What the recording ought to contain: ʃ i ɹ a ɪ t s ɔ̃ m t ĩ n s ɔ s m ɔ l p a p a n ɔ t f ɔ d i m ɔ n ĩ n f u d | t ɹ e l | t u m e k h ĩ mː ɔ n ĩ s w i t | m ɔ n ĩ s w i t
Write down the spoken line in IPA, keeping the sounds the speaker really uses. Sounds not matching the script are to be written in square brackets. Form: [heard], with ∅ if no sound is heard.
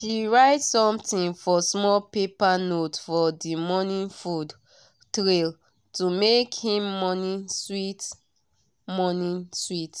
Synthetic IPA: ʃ i ɹ a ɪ t s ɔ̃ m t ĩ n [f] ɔ s m ɔ l p [e] p a n [o] t f ɔ d i m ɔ n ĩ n f u d | t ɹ e l | t u m e k h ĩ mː ɔ n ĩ s w i t | m ɔ n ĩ s w i t